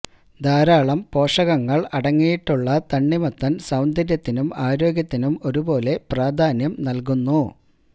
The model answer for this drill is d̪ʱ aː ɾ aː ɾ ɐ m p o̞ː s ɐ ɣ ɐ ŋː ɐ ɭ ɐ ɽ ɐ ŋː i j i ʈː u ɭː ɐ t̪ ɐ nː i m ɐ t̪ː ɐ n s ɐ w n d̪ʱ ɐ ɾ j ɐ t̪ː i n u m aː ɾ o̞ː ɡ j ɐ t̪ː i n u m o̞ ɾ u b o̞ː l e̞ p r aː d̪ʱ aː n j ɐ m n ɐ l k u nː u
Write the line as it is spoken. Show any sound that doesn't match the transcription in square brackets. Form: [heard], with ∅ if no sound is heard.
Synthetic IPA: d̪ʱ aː ɾ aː [ɭ] ɐ m p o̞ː [ʂ] ɐ ɣ ɐ ŋː ɐ ɭ ɐ ɽ ɐ ŋː i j i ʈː u ɭː ɐ t̪ ɐ [ɳː] i m ɐ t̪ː ɐ n s ɐ w n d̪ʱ ɐ ɾ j ɐ t̪ː i n u m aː ɾ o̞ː ɡ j ɐ t̪ː i n u m o̞ ɾ u b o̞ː l e̞ p r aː d̪ʱ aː n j ɐ m n ɐ l k u nː u